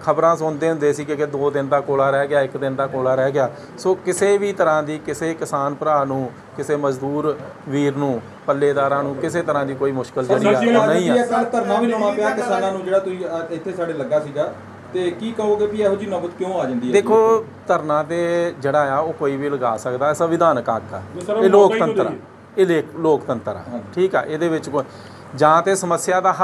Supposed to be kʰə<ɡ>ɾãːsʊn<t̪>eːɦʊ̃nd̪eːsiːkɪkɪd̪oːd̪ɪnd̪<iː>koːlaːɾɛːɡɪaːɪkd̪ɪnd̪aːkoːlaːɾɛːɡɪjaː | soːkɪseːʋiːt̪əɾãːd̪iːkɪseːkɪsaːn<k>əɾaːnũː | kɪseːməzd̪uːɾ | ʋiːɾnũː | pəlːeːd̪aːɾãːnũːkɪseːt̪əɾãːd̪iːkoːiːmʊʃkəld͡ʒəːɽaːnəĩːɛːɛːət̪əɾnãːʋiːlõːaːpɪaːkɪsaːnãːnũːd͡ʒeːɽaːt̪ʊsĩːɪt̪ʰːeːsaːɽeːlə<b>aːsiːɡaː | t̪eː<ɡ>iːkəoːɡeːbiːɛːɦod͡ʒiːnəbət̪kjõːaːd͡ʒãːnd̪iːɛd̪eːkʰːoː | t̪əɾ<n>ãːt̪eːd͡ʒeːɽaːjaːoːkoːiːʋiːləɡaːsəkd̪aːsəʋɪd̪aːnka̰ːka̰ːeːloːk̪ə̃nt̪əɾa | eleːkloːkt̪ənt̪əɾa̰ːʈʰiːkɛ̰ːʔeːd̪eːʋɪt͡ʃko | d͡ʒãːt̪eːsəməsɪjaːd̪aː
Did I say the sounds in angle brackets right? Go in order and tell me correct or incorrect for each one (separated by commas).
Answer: incorrect, incorrect, incorrect, incorrect, incorrect, incorrect, correct